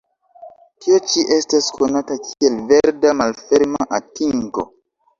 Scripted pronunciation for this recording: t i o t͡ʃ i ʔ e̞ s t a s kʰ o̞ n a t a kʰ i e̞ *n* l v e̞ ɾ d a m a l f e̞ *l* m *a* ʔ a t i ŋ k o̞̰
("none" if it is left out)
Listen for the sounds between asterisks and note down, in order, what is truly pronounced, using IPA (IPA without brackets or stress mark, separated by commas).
none, ɾ, a